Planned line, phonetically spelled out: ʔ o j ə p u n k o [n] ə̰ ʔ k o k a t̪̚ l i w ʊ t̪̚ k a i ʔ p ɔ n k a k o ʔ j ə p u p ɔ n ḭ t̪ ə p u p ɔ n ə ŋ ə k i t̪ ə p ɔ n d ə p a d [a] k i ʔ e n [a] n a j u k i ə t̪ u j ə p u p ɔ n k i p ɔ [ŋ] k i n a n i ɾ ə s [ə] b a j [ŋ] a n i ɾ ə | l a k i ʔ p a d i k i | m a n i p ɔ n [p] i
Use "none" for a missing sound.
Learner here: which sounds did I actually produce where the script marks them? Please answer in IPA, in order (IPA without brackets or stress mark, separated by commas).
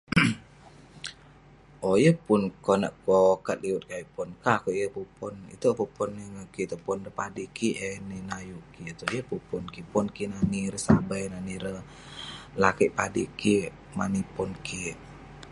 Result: n, i, i, n, a, n, k